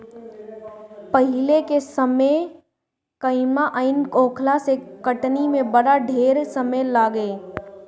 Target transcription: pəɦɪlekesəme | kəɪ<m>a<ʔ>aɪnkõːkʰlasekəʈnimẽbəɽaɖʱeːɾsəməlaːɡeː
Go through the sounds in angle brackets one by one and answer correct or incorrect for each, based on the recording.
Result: correct, correct

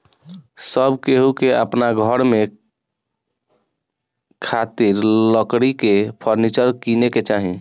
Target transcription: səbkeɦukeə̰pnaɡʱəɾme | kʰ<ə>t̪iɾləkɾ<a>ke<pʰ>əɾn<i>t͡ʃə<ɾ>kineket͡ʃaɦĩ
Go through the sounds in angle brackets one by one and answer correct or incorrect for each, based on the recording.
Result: incorrect: a, incorrect: i, correct, correct, correct

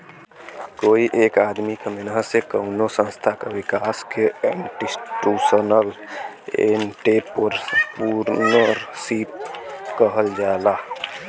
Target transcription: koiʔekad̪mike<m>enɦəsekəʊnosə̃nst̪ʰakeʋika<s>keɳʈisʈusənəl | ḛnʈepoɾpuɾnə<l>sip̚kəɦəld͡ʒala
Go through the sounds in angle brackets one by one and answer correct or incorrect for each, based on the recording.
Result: correct, correct, incorrect: ɾ

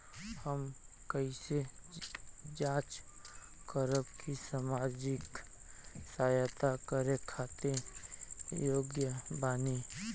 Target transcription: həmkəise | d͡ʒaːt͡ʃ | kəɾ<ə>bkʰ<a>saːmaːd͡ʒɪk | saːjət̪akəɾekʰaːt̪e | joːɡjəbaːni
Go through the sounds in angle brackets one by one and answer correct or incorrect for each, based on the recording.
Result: correct, incorrect: i

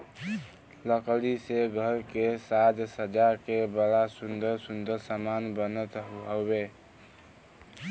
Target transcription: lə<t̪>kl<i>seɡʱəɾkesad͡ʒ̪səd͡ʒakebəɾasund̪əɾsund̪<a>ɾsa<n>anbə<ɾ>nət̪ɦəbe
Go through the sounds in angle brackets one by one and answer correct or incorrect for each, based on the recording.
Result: incorrect: none, correct, incorrect: ə, incorrect: m, incorrect: none

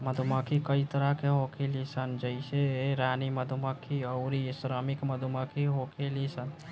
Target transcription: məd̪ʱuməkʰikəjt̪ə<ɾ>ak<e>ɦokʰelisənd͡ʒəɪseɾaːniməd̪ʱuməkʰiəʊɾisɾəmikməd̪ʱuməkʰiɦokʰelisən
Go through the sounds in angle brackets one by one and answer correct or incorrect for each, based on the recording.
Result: correct, correct

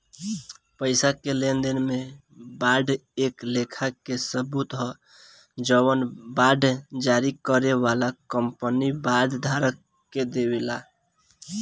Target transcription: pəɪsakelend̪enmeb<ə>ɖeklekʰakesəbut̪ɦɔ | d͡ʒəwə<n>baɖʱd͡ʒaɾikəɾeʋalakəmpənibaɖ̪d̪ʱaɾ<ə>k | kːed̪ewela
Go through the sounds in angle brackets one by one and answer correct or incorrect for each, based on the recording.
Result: incorrect: a, correct, correct

